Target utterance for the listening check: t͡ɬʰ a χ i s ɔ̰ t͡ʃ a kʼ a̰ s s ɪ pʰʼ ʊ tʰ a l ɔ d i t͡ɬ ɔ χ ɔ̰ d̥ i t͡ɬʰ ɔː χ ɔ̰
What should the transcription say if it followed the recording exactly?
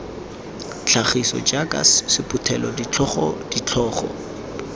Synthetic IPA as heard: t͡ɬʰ a χ i s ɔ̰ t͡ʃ a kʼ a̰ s s ɪ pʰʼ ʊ tʰ ɛ l ɔ d i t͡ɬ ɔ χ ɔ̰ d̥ i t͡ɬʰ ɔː χ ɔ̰